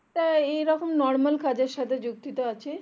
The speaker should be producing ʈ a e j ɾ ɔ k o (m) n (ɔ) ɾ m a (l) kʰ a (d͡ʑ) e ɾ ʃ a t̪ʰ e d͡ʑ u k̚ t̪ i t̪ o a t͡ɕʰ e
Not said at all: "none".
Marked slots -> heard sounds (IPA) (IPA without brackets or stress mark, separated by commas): m, ɔ, l, d͡ʑ